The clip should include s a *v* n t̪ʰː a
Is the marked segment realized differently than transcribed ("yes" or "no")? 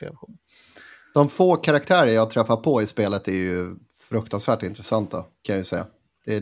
yes